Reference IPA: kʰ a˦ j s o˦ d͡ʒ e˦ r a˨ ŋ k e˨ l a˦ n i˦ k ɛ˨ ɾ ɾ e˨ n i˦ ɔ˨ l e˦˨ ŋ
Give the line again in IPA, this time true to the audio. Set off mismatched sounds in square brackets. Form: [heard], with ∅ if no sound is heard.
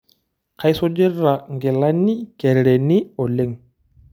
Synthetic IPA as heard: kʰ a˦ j s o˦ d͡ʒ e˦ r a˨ ŋ [ɡ] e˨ l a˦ n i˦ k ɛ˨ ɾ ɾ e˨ n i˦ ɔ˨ l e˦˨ ŋ